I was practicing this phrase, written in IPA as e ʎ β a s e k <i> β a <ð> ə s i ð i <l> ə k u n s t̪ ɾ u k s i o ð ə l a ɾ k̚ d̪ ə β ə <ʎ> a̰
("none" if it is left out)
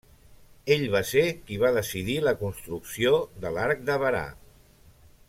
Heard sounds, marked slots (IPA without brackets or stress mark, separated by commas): i, ð, l, ɾ